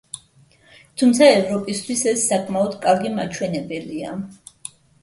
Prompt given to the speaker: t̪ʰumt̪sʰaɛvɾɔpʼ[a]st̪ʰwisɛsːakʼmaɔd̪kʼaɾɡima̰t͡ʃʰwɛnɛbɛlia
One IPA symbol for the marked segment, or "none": i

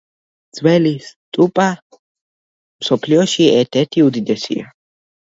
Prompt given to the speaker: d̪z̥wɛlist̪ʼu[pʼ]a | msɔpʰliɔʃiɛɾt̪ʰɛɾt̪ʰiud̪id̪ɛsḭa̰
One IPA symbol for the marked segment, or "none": pʼ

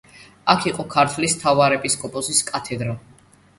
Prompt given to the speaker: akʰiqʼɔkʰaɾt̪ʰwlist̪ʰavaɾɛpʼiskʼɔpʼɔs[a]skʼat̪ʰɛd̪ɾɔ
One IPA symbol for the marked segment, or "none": i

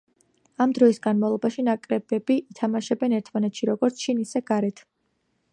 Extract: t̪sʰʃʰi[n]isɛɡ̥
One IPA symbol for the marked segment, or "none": n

